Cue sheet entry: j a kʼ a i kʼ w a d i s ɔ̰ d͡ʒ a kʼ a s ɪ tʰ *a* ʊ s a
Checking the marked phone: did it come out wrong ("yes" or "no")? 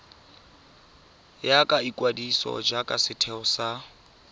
yes